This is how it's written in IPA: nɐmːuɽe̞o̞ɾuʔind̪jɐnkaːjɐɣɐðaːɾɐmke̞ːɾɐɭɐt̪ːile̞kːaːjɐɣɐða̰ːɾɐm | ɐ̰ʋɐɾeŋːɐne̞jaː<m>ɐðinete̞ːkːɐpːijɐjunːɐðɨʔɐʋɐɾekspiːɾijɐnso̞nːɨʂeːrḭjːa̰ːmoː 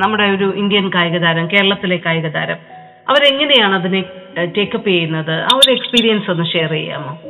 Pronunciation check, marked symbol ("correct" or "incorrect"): incorrect